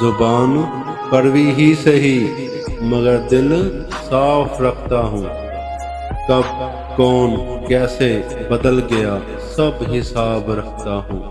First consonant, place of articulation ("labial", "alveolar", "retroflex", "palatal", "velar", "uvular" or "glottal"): alveolar